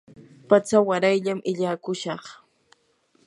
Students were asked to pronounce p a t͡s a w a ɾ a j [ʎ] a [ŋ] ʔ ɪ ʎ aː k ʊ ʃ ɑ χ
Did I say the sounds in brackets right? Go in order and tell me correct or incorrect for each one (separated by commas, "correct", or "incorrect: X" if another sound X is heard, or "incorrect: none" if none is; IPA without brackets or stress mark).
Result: correct, incorrect: m